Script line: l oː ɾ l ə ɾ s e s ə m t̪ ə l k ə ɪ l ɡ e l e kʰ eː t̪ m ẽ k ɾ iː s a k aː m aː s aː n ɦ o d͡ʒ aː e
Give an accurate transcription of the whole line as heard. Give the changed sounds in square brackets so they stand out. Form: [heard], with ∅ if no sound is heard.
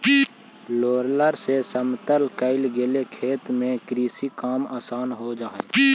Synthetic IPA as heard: l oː ɾ l ə ɾ s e s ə m t̪ ə l k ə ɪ l ɡ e l e kʰ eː t̪ m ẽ k ɾ iː s [i] k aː m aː s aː n ɦ o d͡ʒ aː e